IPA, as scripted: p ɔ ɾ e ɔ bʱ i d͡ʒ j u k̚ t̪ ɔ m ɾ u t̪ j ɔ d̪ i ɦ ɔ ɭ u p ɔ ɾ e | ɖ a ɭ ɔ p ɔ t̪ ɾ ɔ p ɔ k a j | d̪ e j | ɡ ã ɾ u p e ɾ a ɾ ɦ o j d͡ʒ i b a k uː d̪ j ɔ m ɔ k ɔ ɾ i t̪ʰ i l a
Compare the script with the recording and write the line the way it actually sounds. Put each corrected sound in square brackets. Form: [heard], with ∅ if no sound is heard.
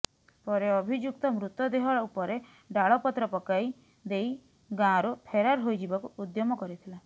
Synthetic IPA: p ɔ ɾ e ɔ bʱ i d͡ʒ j u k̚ t̪ ɔ m ɾ u t̪ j ɔ d̪ [e] ɦ ɔ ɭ u p ɔ ɾ e | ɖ a ɭ ɔ p ɔ t̪ ɾ ɔ p ɔ k a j | d̪ e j | ɡ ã ɾ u [pʰ] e ɾ a ɾ ɦ o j d͡ʒ i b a k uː d̪ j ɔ m ɔ k ɔ ɾ i t̪ʰ i l a